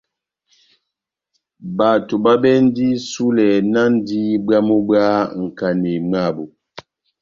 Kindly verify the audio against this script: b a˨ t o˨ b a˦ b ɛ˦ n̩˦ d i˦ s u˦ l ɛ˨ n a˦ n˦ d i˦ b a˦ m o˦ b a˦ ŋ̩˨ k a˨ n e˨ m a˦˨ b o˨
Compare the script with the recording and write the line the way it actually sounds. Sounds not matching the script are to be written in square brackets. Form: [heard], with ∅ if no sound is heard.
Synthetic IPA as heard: b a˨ t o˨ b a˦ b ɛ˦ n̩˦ d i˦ s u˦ l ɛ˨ n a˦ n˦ d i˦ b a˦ m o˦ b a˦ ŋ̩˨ k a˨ n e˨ m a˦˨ b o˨